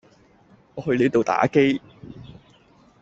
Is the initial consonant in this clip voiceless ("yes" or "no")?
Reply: no